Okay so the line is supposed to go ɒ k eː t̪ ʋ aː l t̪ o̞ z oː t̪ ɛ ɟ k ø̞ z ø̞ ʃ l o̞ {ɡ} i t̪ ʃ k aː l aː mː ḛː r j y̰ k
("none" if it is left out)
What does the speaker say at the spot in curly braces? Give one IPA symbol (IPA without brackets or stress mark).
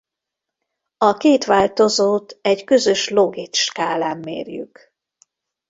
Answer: ɡ